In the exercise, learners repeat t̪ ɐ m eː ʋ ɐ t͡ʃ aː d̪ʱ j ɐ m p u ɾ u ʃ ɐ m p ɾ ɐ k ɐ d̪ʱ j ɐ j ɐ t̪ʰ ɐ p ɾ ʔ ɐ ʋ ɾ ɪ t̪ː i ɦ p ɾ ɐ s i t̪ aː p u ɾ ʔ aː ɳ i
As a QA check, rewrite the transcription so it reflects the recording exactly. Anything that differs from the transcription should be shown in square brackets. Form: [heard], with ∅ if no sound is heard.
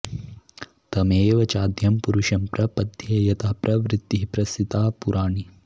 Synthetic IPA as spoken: t̪ ɐ m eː ʋ ɐ t͡ʃ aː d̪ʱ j ɐ m p u ɾ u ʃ ɐ m p ɾ ɐ [p] ɐ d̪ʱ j ɐ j ɐ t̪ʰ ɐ p ɾ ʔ ɐ ʋ ɾ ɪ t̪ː i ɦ p ɾ ɐ s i t̪ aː p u ɾ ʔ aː ɳ i